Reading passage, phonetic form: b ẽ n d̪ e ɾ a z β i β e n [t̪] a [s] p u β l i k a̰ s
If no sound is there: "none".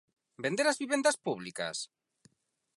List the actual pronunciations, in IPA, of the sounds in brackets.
d̪, s

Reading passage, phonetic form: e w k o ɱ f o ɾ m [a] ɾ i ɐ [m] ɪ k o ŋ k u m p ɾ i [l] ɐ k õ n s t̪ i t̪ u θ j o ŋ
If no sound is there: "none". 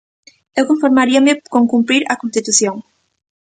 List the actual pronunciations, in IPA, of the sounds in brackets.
a, m, ɾ

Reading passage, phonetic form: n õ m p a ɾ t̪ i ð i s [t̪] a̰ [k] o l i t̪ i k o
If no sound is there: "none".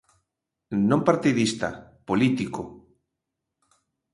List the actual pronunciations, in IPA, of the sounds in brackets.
t̪, p

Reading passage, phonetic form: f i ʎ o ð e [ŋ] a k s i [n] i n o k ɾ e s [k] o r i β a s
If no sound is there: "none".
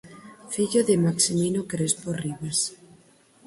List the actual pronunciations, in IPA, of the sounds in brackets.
m, m, p

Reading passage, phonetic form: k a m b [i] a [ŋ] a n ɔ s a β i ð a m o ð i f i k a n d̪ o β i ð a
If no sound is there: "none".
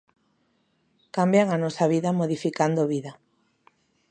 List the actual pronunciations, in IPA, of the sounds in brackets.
j, ŋ

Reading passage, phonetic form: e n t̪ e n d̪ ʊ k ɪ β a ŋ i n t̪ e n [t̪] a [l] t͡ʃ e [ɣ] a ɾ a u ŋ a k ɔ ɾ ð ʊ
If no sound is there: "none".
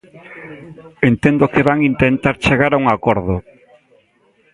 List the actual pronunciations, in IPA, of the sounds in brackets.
t̪, ɾ, ɣ

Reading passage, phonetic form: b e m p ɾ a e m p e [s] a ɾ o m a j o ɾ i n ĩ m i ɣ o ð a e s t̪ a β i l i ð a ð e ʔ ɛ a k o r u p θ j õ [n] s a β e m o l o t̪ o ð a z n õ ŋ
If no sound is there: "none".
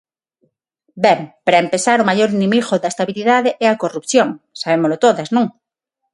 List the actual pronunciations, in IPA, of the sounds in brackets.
s, ŋ

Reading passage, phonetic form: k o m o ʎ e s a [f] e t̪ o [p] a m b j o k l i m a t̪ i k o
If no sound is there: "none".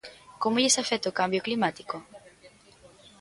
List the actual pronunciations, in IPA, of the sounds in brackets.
f, k

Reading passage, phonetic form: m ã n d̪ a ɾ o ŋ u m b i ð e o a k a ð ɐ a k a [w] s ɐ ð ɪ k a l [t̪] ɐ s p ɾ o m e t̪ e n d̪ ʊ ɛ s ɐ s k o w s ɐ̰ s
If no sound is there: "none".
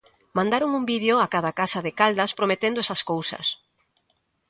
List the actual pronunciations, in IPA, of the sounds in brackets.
none, d̪

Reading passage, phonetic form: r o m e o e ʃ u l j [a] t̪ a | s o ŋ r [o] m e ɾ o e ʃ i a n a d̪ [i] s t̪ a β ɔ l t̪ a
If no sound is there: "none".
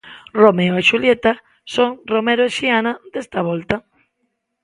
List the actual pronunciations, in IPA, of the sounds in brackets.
e, o, e

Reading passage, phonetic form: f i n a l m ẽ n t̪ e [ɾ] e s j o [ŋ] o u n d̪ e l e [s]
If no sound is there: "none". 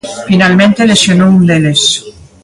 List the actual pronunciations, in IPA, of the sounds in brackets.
l, n, s

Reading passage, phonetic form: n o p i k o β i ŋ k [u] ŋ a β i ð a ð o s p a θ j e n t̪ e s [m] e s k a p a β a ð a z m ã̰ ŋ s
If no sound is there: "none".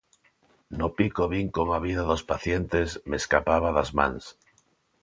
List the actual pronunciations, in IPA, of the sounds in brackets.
o, m

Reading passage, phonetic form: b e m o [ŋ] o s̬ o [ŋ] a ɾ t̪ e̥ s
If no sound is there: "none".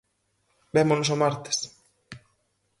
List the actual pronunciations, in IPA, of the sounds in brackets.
n, m

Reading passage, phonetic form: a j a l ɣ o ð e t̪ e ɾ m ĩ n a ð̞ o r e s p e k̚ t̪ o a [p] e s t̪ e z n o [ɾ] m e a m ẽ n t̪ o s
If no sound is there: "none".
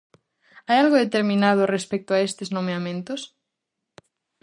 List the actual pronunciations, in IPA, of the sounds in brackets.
none, none

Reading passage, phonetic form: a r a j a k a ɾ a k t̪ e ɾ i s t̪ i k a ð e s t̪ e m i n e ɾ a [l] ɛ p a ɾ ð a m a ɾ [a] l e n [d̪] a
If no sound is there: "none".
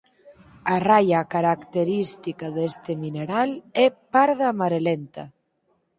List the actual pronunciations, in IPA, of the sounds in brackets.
l, e, t̪

